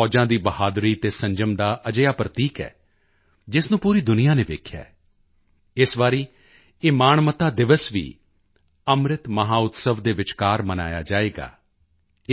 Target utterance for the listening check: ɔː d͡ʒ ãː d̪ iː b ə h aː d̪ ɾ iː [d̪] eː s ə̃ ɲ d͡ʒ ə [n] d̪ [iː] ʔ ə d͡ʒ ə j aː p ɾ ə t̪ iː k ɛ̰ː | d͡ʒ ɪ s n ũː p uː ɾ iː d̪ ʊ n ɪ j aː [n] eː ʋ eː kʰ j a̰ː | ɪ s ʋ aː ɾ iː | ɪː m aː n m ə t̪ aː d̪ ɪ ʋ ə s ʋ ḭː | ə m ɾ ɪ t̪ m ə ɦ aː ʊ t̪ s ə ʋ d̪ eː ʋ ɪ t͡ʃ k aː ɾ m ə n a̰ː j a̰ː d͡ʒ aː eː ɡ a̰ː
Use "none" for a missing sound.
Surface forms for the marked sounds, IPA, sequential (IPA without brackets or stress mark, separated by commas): t̪, m, aː, n